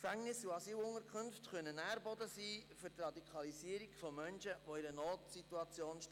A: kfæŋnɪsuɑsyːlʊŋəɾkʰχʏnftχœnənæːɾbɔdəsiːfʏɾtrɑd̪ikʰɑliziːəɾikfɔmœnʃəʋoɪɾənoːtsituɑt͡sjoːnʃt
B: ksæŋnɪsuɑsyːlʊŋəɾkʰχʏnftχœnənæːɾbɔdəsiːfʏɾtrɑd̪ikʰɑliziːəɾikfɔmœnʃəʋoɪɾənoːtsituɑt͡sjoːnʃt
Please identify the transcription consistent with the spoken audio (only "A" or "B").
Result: A